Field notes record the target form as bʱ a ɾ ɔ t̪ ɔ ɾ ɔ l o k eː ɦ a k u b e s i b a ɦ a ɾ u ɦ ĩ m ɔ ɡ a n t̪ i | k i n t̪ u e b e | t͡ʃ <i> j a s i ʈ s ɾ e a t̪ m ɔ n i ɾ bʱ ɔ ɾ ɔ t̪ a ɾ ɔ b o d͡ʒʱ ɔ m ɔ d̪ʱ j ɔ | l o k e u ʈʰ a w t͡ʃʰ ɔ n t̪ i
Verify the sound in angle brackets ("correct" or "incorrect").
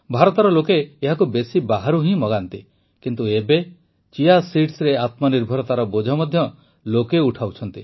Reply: correct